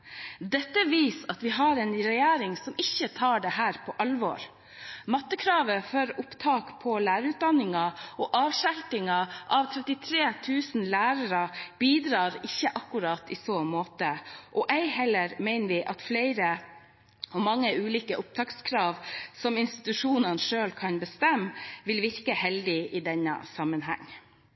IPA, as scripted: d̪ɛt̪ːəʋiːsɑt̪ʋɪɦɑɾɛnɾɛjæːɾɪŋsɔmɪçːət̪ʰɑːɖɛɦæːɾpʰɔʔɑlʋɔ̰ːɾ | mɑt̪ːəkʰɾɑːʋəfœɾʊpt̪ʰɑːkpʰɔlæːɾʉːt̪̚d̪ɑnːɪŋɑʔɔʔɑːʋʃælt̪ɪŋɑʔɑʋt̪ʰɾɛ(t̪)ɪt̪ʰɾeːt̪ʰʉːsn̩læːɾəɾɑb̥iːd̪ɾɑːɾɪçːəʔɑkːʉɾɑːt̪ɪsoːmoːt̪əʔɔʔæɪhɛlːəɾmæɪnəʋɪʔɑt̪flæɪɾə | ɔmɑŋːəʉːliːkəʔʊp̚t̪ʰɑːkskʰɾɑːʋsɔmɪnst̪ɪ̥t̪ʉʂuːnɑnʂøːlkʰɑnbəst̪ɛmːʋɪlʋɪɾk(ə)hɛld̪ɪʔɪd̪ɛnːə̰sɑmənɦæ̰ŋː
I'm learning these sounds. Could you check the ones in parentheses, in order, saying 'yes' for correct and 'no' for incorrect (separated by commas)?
yes, yes